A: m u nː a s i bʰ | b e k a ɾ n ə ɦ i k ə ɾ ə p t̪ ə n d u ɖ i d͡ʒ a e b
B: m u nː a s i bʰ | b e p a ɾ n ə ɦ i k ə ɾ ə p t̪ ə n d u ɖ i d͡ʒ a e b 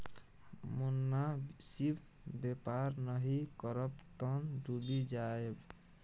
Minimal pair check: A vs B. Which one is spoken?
B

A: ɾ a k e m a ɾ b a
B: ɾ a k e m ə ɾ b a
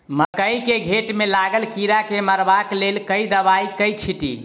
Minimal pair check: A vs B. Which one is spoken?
B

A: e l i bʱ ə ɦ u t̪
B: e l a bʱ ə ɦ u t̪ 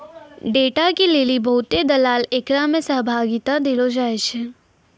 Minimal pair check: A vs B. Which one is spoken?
A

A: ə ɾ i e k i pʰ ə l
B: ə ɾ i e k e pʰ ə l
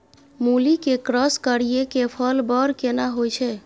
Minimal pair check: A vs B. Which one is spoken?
B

